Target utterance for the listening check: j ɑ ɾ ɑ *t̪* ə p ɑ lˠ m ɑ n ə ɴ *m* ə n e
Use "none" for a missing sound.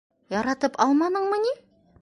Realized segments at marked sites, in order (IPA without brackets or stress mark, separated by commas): t̪, m